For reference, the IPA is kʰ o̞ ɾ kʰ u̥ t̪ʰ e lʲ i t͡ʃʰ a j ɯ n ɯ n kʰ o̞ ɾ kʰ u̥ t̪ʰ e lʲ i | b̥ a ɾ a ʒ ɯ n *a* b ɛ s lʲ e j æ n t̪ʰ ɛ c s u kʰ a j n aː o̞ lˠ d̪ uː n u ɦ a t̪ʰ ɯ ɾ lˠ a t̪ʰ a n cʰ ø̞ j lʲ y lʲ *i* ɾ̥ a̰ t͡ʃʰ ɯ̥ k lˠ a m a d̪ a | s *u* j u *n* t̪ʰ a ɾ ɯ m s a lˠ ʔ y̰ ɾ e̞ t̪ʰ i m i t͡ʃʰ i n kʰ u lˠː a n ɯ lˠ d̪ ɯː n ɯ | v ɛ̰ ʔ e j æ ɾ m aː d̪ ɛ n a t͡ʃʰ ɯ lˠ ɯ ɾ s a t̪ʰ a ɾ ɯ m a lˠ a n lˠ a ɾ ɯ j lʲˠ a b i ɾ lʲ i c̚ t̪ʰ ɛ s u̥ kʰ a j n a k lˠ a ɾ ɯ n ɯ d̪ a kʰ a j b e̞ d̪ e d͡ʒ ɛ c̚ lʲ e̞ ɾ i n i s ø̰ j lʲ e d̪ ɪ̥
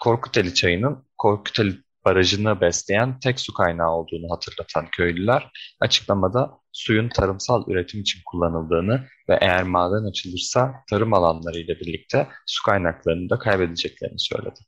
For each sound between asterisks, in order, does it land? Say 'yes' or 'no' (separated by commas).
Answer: yes, no, yes, yes